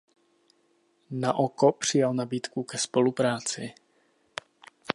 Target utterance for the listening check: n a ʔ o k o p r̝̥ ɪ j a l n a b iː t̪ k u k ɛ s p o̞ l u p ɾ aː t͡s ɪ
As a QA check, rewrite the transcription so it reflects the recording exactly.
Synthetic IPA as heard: n a ʔ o k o p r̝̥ ɪ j a l n a b iː t̪ k u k ɛ s p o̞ l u p ɾ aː t͡s ɪ

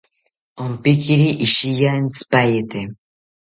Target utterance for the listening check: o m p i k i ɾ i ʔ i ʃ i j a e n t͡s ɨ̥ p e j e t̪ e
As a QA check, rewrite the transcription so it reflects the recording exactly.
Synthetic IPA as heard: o m p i k i ɾ i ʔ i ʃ i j a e n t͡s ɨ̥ p a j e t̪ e

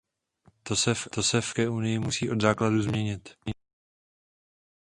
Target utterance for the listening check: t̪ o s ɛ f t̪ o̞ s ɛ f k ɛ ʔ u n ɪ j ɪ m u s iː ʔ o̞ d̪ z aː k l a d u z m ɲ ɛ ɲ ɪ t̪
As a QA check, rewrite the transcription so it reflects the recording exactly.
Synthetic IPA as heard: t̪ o s ɛ f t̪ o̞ s ɛ f k ɛ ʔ u n ɪ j ɪ m u s iː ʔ o̞ d̪ z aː k l a d u z m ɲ ɛ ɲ ɪ t̪

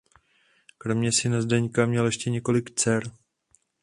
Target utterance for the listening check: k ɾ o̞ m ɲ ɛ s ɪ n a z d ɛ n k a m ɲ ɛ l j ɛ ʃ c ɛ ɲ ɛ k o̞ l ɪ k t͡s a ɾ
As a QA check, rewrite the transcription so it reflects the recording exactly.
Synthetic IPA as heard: k ɾ o̞ m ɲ ɛ s ɪ n a z d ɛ ɲ k a m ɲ ɛ l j ɛ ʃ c ɛ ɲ ɛ k o̞ l ɪ k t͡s ɛ ɾ

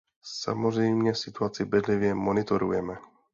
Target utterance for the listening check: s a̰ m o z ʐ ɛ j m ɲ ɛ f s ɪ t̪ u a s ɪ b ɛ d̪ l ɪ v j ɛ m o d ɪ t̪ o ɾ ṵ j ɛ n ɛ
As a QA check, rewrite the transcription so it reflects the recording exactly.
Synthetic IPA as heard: s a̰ m o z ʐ ɛ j m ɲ ɛ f s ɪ t̪ u a t͡s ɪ b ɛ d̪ l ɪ v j ɛ m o n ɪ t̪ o ɾ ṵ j ɛ m ɛ

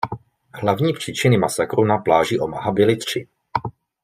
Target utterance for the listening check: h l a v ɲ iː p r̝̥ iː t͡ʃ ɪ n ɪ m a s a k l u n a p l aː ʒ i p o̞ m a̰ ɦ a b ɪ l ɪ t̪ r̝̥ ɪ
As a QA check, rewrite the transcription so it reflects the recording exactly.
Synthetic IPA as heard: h l a v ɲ iː p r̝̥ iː t͡ʃ ɪ n ɪ m a s a k ɾ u n a p l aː ʒ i ʔ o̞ m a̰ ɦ a b ɪ l ɪ t̪ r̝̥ ɪ

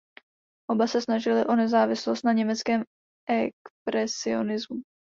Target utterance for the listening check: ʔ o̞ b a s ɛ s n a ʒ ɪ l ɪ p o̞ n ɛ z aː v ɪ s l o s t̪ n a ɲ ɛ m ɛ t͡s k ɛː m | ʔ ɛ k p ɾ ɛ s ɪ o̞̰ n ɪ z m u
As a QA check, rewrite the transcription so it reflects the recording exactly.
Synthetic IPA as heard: ʔ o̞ b a s ɛ s n a ʒ ɪ l ɪ ʔ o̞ n ɛ z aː v ɪ s l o s t̪ n a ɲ ɛ m ɛ t͡s k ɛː m | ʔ ɛ k p ɾ ɛ s ɪ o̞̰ n ɪ z m u

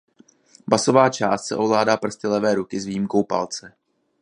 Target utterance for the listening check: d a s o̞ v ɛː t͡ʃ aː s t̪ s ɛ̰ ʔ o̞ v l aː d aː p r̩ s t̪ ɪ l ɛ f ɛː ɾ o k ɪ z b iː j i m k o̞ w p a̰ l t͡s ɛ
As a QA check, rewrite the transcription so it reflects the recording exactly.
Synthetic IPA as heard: b a s o̞ v aː t͡ʃ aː s t̪ s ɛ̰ ʔ o̞ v l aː d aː p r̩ s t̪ ɪ l ɛ v ɛː ɾ u k ɪ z v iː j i m k o̞ w p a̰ l t͡s ɛ

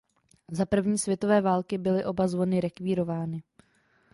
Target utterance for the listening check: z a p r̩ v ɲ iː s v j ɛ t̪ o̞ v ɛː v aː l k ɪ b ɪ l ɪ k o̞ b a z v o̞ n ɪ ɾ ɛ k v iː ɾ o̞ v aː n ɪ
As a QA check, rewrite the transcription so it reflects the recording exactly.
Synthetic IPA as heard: z a p r̩ v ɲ iː s v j ɛ t̪ o̞ v ɛː v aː l k ɪ b ɪ l ɪ ʔ o̞ b a z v o̞ n ɪ ɾ ɛ k v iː ɾ o̞ v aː n ɪ

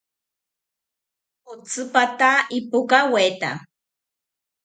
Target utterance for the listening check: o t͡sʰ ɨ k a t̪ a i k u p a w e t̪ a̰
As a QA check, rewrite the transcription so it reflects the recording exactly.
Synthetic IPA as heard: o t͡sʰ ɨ p a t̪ a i p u k a w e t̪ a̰

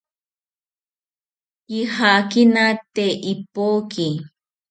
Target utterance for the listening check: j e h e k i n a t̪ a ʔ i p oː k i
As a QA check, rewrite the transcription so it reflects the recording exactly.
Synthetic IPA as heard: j i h a k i n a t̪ e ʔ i p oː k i

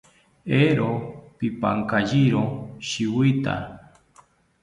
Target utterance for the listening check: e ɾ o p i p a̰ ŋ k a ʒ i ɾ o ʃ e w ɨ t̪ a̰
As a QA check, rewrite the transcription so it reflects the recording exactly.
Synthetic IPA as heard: e ɾ o p i p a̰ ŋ k a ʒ i ɾ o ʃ i w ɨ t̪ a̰

